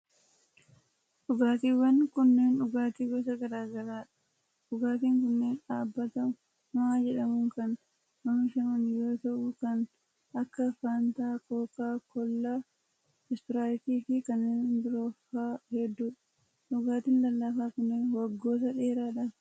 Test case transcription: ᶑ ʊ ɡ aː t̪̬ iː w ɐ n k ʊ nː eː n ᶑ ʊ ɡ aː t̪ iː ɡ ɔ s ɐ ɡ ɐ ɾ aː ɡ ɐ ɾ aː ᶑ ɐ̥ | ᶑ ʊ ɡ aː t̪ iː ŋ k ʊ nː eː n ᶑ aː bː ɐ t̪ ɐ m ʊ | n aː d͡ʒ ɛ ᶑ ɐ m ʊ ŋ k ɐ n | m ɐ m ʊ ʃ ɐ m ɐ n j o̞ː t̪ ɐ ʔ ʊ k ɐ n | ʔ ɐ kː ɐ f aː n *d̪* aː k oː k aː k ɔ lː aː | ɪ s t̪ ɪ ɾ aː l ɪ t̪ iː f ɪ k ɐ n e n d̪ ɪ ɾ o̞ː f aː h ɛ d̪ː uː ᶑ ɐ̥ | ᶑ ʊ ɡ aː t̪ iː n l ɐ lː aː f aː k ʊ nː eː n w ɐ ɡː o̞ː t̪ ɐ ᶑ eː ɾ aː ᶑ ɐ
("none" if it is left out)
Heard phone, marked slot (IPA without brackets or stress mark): t̪